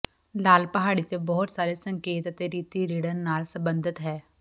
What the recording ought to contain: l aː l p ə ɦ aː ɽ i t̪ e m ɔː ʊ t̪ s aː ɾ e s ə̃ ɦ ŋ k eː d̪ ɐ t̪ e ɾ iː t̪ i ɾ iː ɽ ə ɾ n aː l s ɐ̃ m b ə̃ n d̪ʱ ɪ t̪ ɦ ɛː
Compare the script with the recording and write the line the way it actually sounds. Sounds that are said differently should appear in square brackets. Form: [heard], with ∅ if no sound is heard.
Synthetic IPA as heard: l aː l p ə ɦ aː ɽ i t̪ e [b] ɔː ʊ t̪ s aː ɾ e s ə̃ [∅] ŋ k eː [t̪] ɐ t̪ e ɾ iː t̪ i ɾ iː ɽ ə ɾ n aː l s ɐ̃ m b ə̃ n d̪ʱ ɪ t̪ ɦ ɛː